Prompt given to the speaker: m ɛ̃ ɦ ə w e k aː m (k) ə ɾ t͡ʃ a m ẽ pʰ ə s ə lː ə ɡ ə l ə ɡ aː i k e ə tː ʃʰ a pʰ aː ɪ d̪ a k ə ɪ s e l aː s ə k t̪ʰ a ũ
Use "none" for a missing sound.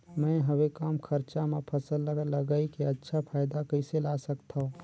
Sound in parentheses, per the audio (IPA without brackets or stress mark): kʰ